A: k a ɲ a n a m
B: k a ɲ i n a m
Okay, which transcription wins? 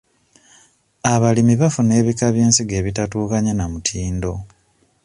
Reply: A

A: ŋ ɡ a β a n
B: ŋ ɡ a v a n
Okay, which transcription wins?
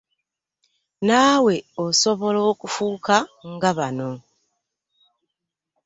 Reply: A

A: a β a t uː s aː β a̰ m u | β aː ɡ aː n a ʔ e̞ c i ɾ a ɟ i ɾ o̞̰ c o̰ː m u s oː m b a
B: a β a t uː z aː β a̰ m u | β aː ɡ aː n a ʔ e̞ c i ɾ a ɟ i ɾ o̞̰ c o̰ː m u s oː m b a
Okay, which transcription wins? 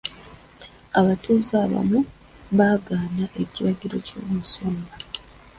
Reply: B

